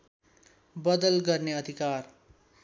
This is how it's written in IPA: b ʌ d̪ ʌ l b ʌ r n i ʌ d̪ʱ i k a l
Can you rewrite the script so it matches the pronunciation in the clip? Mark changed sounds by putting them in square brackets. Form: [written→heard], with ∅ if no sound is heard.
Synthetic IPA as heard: b ʌ d̪ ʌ l [b→ɡ] ʌ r n [i→e] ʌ d̪ʱ i k a [l→r]